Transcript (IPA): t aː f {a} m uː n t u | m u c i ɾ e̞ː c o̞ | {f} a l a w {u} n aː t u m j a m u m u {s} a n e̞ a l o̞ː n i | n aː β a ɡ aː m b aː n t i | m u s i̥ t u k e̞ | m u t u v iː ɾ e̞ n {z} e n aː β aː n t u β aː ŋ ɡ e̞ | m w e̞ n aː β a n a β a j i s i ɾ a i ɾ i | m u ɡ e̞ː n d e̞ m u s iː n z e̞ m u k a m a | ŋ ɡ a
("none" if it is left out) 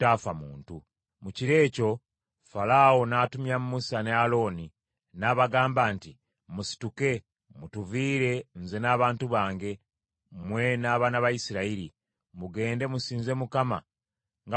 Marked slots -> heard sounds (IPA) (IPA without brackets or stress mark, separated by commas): a, f, o, s, z